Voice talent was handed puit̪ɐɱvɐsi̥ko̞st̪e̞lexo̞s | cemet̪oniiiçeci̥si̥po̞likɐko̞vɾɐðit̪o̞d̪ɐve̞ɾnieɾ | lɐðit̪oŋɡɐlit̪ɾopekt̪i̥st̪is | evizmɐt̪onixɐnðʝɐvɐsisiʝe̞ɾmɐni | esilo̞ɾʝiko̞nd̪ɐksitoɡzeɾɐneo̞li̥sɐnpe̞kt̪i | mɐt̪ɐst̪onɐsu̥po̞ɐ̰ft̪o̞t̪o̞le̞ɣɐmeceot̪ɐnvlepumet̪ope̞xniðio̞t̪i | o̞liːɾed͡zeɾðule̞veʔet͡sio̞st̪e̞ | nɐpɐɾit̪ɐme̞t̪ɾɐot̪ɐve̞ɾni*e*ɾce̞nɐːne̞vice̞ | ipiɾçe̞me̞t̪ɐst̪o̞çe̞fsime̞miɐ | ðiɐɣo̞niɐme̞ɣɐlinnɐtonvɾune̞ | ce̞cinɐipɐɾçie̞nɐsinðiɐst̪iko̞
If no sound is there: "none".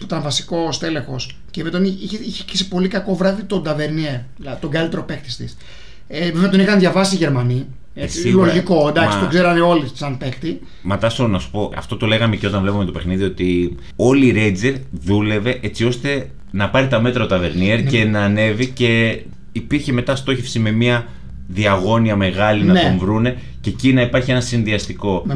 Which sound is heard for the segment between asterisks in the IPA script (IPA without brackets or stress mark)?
e